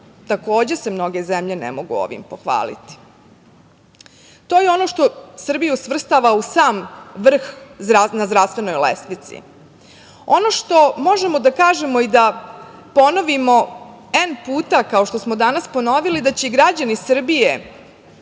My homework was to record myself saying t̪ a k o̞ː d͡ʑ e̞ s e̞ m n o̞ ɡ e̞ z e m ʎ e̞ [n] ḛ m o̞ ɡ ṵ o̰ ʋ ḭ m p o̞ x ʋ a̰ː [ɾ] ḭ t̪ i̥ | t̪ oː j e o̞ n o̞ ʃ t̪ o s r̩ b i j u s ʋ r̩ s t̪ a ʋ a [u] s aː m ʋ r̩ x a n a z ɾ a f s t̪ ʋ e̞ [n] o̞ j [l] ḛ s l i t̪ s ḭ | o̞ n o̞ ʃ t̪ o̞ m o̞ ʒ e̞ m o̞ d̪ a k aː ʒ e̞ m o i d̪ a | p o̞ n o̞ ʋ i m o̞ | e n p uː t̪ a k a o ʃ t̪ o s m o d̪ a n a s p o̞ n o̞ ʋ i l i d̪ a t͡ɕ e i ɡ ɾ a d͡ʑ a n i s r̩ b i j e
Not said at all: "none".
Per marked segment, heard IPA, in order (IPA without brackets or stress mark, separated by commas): n, l, u, n, l